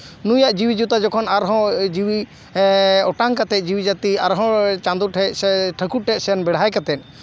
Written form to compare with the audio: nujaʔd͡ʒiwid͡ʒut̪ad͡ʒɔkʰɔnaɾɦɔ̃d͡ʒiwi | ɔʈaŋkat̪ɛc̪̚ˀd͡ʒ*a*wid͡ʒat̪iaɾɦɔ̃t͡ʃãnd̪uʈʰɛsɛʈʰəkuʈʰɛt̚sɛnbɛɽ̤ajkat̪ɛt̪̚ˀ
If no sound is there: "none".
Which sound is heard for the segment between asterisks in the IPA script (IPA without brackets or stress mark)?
i